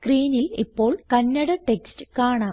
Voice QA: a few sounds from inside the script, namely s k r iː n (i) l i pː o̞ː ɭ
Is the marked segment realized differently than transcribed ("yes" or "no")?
no